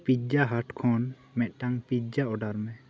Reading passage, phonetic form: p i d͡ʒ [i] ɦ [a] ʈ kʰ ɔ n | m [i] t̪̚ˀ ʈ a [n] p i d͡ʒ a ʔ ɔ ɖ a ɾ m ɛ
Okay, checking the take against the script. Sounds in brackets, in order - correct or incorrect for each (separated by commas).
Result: incorrect, correct, incorrect, incorrect